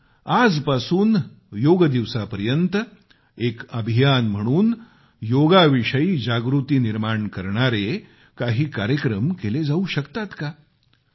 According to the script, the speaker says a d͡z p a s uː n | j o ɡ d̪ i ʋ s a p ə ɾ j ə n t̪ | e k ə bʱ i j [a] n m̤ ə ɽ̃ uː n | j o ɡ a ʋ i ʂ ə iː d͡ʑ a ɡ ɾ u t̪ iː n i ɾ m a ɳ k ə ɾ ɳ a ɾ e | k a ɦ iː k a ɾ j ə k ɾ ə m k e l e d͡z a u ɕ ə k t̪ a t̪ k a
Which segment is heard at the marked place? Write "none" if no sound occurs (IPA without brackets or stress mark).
a